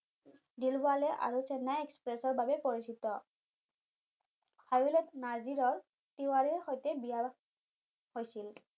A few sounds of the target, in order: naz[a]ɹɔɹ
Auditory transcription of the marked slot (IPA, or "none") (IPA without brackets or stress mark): i